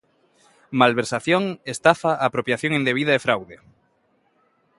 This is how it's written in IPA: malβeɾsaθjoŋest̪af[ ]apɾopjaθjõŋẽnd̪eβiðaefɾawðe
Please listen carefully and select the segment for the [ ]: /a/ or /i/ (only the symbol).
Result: a